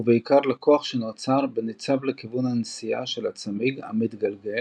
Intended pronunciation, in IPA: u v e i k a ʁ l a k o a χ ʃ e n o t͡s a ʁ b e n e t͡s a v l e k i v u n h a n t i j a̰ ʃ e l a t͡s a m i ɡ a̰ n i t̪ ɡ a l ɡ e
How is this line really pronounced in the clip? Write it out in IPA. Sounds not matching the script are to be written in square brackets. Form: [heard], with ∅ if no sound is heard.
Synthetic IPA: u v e i k a ʁ l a k o a χ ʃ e n o t͡s a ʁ b e n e t͡s a v l e k i v u n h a n [s] i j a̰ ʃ e l a t͡s a m i ɡ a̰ [m] i t̪ ɡ a l ɡ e